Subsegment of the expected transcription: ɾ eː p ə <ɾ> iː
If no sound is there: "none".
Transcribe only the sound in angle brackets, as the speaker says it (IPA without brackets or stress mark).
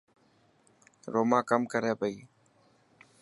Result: none